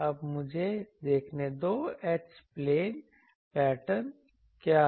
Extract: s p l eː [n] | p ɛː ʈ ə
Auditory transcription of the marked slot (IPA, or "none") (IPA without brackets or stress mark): n